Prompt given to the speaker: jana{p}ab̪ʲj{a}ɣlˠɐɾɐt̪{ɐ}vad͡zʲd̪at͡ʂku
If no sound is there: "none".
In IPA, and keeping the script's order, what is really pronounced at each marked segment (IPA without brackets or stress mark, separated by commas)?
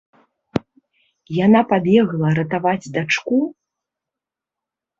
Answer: p, ɛ, a